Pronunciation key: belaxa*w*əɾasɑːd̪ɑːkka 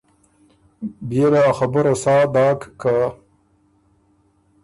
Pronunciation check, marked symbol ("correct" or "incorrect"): incorrect